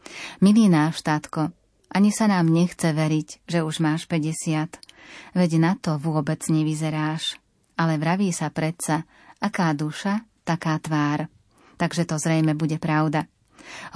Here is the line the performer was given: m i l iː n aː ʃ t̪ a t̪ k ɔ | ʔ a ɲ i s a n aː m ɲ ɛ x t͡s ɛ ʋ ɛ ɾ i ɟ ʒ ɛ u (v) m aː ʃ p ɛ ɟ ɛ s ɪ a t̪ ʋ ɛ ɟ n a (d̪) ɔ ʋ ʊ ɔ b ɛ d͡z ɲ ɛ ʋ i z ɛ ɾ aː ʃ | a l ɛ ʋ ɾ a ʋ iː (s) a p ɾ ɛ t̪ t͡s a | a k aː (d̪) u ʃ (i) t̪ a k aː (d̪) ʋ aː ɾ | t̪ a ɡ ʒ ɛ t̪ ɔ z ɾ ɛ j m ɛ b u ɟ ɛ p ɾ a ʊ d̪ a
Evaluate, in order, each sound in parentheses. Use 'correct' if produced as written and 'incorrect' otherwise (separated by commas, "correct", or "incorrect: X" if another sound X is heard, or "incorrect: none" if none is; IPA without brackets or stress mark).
incorrect: ʒ, incorrect: t̪, correct, correct, incorrect: a, incorrect: t̪